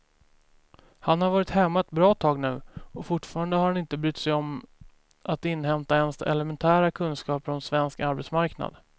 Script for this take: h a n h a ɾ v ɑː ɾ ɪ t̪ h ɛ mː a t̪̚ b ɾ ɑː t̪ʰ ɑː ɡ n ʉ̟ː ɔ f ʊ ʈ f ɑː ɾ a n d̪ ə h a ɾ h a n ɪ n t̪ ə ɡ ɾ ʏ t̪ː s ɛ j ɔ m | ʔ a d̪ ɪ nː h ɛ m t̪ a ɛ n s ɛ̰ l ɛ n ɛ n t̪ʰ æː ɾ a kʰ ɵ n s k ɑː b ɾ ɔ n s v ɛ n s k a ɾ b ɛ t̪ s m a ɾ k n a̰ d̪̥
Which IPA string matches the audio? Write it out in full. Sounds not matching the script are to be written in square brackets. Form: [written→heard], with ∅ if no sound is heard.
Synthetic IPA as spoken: h a n h a ɾ v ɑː ɾ ɪ t̪ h ɛ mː a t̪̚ b ɾ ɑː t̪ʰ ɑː ɡ n ʉ̟ː ɔ f ʊ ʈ f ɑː ɾ a n d̪ ə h a ɾ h a n ɪ n t̪ ə [ɡ→b] ɾ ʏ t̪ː s ɛ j ɔ m | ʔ a [d̪→t̪] ɪ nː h ɛ m t̪ a ɛ n s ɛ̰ l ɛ [n→m] ɛ n t̪ʰ æː ɾ a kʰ ɵ n s k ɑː [b→p] ɾ ɔ n s v ɛ n s k a ɾ b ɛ t̪ s m a ɾ k n a̰ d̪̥